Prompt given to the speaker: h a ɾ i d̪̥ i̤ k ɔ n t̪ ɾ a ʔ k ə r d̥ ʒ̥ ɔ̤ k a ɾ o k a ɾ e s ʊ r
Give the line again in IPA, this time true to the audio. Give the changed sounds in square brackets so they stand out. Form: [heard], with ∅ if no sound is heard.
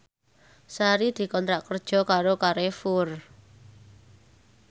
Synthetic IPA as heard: [s] a ɾ i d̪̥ i̤ k ɔ n t̪ ɾ a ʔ k ə r d̥ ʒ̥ ɔ̤ k a ɾ o k a ɾ e [f] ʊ r

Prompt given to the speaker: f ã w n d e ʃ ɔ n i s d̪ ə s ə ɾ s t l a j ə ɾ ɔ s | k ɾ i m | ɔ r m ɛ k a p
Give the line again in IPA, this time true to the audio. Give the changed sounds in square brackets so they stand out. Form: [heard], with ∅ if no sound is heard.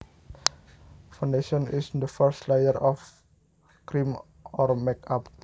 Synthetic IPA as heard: f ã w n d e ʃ ɔ n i s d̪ ə [f] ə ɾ s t l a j ə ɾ ɔ [f] | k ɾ i m | ɔ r m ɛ k a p

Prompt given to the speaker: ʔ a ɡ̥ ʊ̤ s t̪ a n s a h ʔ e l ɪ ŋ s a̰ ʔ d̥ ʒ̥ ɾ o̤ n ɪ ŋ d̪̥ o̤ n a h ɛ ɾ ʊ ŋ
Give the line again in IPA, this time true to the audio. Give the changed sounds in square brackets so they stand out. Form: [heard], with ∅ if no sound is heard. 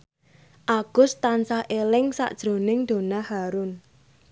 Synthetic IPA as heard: ʔ a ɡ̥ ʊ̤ s t̪ a n s a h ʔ e l ɪ ŋ s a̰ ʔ d̥ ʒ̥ ɾ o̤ n ɪ ŋ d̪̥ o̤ n a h [a] ɾ ʊ [n]

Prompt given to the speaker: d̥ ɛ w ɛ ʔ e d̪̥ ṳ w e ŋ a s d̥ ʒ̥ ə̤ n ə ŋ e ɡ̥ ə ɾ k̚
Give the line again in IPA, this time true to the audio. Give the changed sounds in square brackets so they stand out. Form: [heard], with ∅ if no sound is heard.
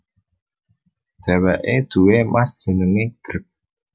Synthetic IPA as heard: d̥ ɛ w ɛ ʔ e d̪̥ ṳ w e [m] a s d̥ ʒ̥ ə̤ n ə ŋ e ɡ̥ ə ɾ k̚

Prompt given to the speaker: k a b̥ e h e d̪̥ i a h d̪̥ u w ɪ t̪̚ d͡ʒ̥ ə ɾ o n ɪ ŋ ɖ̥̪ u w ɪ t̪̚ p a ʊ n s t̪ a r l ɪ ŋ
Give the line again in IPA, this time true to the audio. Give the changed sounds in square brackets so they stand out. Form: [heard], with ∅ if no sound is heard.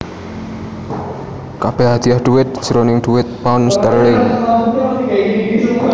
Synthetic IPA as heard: k a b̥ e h [a] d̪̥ i a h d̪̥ u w ɪ t̪̚ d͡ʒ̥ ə ɾ o n ɪ ŋ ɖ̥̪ u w ɪ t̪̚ p a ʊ n s t̪ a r l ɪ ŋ

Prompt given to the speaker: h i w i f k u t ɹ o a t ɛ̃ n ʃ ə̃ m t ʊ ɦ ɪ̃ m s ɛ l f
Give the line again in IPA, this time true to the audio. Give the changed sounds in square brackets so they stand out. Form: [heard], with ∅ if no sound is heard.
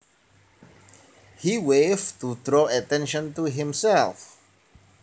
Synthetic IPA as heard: h i w [e] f [t] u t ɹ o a t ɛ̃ n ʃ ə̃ [n] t [u] ɦ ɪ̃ m s ɛ l f

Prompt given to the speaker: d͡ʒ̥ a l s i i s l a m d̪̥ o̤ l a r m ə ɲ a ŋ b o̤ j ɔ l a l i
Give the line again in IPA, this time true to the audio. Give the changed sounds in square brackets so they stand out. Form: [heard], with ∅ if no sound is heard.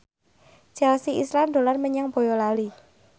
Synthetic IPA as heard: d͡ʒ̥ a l s i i s l a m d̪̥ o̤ l a r m ə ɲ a ŋ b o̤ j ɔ l a l i

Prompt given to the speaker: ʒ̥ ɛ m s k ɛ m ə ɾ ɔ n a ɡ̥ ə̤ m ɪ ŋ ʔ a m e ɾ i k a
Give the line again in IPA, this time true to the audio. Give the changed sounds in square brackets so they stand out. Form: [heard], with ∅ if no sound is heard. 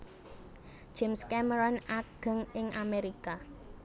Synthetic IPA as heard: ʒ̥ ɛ m s k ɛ m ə ɾ ɔ n a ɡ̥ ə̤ [ŋ] ɪ ŋ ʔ a m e ɾ i k a

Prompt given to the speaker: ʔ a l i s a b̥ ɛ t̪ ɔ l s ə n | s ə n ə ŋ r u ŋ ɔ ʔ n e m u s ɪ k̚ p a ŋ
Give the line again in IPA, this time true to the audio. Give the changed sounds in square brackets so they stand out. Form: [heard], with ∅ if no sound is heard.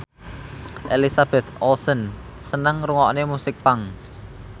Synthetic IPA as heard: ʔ [e] l i s a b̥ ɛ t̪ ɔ l s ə n | s ə n ə ŋ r u ŋ ɔ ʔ n e m u s ɪ k̚ p a ŋ

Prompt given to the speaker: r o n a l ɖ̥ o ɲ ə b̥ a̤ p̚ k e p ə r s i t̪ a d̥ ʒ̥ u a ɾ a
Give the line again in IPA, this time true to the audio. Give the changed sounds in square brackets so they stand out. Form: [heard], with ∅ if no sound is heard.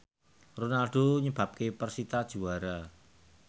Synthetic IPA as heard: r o n a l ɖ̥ o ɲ ə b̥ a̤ p̚ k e p ə r s i t̪ a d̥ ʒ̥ u a ɾ a

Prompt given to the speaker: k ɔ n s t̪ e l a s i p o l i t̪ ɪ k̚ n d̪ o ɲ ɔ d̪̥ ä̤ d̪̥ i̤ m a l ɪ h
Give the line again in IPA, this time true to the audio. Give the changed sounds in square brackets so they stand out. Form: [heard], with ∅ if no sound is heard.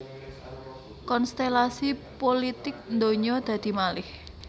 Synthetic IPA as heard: k ɔ n s t̪ e l a s i p o l i t̪ ɪ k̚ n d̪ o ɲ ɔ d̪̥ ä̤ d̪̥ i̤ m a l ɪ h

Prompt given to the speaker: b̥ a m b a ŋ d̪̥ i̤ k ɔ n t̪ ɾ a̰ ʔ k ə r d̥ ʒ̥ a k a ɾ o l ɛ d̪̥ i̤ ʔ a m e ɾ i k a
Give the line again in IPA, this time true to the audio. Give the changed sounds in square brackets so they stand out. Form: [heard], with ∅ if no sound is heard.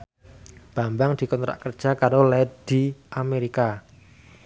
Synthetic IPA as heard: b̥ a m b a ŋ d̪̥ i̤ k ɔ n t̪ ɾ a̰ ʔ k ə r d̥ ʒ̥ a k a ɾ o l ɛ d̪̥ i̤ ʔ a m e ɾ i k a

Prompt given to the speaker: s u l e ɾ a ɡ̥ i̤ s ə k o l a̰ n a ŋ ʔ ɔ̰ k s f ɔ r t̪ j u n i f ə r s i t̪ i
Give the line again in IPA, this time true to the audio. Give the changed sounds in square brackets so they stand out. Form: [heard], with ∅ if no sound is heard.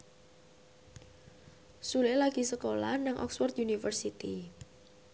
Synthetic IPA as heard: s u l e [l] a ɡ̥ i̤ s ə k o l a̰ n a ŋ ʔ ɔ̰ k s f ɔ r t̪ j u n i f ə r s i t̪ i

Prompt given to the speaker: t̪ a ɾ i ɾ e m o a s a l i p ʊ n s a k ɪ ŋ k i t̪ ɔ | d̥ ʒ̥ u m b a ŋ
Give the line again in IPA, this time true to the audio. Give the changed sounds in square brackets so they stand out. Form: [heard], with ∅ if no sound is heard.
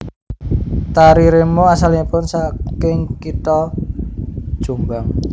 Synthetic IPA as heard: t̪ a ɾ i ɾ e m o a s a l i p ʊ n s a k ɪ ŋ k i t̪ ɔ | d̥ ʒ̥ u m b a ŋ

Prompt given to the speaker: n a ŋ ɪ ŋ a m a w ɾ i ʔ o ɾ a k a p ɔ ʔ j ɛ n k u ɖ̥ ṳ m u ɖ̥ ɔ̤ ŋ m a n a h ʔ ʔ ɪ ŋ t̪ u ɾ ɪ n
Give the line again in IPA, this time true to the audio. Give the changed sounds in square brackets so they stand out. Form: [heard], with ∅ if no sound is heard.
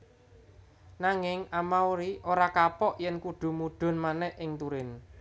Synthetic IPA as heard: n a ŋ ɪ ŋ a m a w ɾ i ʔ o ɾ a k a p ɔ ʔ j ɛ n k u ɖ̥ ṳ m u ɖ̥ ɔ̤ [n] m a n [ɛ] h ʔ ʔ ɪ ŋ t̪ u ɾ ɪ n

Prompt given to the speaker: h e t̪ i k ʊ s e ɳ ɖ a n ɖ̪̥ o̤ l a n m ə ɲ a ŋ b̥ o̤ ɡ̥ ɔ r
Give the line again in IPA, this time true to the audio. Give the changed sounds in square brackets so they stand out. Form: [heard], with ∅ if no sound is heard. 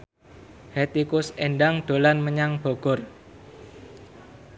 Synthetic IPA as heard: h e t̪ i k ʊ s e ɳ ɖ a [ŋ] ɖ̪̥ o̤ l a n m ə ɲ a ŋ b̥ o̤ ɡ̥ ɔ r

